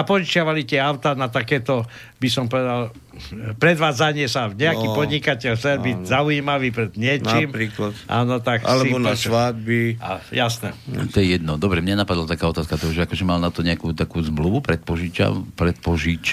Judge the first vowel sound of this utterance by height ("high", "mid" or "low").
low